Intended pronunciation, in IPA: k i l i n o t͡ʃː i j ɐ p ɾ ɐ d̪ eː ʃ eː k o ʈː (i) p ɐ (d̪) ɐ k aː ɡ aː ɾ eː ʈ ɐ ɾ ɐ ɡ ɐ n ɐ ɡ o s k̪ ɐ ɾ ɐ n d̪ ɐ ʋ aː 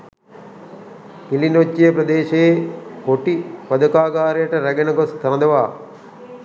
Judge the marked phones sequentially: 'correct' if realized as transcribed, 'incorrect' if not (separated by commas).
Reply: correct, correct